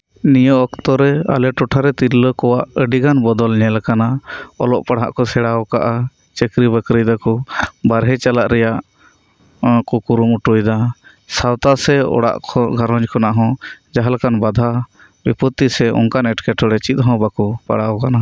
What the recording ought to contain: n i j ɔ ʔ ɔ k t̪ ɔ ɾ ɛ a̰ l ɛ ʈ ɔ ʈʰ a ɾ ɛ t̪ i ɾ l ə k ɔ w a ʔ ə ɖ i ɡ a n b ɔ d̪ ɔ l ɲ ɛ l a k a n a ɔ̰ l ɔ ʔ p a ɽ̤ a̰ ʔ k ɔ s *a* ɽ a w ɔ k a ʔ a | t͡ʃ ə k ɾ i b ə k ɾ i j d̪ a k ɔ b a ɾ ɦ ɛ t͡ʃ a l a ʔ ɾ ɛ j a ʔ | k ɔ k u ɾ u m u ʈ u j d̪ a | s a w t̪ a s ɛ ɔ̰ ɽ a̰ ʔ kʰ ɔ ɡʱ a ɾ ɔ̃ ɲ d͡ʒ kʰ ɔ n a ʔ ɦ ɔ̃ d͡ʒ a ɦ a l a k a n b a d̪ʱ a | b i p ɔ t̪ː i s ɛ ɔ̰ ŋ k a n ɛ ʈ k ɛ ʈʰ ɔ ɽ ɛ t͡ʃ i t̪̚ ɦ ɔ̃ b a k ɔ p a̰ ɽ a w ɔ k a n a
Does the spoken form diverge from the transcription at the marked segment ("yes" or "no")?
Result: yes